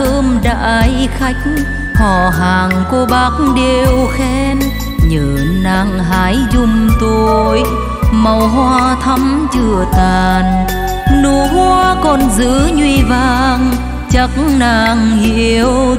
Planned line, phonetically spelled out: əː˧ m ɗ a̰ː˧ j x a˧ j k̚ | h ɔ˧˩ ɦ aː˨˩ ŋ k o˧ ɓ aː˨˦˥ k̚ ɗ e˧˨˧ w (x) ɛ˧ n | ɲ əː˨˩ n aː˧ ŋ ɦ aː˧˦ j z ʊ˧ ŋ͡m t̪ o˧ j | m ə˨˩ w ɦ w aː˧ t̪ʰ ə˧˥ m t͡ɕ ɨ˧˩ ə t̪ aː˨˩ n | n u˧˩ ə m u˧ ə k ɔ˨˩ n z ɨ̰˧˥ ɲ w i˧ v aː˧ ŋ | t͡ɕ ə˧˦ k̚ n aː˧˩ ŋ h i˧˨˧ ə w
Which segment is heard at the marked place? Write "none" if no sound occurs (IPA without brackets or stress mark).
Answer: x